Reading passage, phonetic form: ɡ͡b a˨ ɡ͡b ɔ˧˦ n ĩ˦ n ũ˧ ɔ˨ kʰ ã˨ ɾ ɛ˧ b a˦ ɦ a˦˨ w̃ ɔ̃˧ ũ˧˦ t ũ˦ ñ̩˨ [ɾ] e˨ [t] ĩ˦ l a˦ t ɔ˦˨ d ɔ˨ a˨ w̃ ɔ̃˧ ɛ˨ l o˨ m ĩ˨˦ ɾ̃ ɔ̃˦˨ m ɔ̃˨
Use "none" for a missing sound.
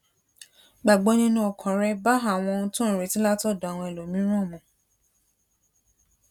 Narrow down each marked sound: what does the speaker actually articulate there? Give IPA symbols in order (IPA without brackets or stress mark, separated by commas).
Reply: ɾ, t